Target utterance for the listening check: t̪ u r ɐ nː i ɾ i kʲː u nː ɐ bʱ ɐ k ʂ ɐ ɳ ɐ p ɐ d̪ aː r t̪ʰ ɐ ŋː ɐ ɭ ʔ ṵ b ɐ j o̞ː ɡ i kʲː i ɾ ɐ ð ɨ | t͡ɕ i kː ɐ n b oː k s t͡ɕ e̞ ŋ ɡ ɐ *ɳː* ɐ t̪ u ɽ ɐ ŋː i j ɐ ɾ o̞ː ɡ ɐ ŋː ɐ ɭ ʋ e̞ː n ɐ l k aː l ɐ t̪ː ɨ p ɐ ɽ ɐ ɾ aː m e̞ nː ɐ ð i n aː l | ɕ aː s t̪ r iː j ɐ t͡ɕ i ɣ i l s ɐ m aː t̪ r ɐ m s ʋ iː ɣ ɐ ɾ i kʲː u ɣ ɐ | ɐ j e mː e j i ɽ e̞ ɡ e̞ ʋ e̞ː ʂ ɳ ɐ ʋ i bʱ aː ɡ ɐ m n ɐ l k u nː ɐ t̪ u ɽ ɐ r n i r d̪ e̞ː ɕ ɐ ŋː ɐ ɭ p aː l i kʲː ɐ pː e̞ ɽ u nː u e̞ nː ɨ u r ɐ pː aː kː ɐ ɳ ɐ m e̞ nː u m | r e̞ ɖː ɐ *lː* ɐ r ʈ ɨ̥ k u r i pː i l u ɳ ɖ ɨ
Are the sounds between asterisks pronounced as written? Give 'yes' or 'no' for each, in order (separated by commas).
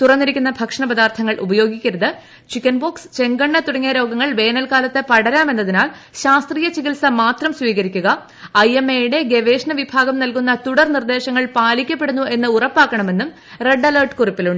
yes, no